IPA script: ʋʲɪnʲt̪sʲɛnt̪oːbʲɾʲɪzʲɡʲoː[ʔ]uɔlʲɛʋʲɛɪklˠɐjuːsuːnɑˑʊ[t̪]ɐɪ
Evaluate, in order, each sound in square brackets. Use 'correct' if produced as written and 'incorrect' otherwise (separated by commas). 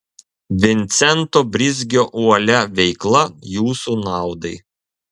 correct, incorrect